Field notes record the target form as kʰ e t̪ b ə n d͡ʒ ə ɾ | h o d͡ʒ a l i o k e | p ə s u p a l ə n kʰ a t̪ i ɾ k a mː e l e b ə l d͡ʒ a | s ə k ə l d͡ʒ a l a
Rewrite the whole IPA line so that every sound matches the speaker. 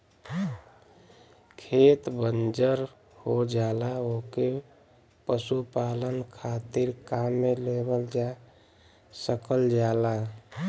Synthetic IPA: kʰ e t̪ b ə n d͡ʒ ə ɾ | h o d͡ʒ a l a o k e | p ə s u p a l ə n kʰ a t̪ i ɾ k a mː e l e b ə l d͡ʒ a | s ə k ə l d͡ʒ a l a